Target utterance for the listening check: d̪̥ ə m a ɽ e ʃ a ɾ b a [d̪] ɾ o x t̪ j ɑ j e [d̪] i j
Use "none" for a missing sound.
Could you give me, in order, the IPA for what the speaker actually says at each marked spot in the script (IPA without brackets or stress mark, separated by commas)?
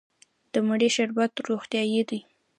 t̪, d̪